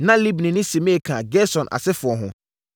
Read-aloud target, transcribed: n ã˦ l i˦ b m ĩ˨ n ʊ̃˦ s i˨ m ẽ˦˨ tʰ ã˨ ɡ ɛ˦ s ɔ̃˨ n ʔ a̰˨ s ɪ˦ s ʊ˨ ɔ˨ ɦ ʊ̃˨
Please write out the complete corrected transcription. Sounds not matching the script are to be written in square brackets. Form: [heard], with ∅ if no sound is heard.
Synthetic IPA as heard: n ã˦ l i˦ b [n] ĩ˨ n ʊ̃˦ s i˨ m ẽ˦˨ [kʰ] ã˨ ɡ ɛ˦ s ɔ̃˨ n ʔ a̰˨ s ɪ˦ [f] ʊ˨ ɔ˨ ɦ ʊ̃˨